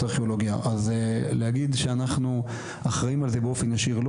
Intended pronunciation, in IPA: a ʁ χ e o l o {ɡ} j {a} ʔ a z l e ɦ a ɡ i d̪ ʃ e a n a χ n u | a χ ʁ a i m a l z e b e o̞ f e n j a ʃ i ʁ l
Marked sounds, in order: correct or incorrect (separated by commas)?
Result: correct, correct